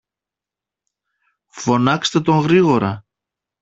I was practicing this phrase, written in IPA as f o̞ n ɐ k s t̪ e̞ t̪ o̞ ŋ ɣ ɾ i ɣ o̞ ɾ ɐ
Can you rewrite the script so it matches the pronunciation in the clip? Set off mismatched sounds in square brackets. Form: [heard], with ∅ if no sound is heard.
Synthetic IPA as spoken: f o̞ n ɐ k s t̪ e̞ t̪ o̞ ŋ ɣ ɾ i ɣ o̞ ɾ ɐ